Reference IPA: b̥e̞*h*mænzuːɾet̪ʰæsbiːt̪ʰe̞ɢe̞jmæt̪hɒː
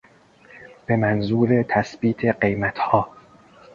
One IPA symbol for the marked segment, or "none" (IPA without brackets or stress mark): none